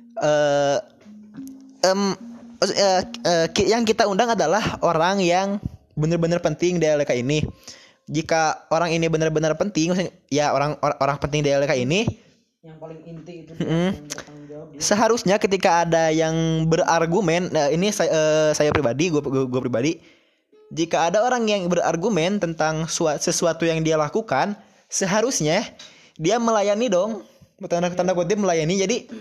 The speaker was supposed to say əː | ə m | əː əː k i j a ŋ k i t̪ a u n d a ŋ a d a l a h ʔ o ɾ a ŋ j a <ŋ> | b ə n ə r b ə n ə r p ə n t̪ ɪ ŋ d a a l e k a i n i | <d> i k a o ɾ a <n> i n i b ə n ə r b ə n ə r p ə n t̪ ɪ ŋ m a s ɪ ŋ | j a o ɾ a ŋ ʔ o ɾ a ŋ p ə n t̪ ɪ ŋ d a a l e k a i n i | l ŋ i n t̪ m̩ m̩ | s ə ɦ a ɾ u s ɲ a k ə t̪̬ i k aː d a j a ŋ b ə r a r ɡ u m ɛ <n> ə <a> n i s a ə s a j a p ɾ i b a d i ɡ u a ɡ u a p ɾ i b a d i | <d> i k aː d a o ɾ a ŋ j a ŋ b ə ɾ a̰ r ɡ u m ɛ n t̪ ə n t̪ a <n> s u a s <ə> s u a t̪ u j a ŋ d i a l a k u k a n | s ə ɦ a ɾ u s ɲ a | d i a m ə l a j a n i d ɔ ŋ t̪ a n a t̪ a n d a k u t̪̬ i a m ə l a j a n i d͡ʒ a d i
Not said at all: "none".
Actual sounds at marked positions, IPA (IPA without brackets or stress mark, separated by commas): ŋ, d͡ʒ, ŋ, n, i, d͡ʒ, ŋ, ə